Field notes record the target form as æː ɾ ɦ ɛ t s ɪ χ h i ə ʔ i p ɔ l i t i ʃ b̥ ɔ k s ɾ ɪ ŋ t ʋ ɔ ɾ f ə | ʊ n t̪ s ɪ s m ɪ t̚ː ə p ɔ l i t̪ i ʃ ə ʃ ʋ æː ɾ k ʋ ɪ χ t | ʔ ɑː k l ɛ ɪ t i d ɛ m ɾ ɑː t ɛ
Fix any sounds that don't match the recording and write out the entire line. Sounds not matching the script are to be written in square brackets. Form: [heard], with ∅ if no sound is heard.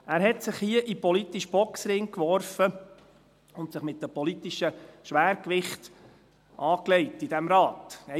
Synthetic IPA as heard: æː ɾ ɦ ɛ t s ɪ χ h i ə ʔ i p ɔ l i t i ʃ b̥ ɔ k s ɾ ɪ ŋ [k] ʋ ɔ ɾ f ə | ʊ n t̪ s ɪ [χ] m ɪ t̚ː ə p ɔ l i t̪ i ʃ ə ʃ ʋ æː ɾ k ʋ ɪ χ t | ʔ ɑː k l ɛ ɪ t i d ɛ m ɾ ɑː t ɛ